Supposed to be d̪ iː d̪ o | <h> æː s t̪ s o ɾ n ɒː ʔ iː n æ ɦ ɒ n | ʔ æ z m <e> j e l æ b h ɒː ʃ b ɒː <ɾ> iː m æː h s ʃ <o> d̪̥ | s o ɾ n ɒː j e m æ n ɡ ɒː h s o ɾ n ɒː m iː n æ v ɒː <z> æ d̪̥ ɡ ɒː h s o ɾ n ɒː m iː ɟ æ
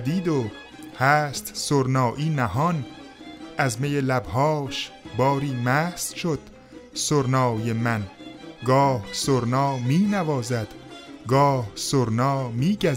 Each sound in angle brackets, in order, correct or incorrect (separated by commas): correct, correct, correct, correct, correct